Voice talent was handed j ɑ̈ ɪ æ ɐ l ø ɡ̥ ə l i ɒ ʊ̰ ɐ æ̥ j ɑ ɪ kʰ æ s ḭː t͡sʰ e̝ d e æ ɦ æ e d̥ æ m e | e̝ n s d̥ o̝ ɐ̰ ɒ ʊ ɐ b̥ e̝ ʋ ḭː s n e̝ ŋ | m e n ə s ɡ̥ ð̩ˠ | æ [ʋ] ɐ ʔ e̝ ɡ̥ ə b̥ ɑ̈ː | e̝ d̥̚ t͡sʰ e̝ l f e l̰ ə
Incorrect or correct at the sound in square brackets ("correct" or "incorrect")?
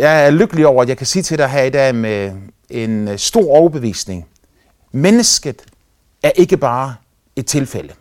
incorrect